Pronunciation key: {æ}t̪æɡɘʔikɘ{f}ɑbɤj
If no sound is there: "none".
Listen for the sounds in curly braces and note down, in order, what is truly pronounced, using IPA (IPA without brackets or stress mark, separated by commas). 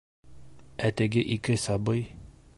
æ, s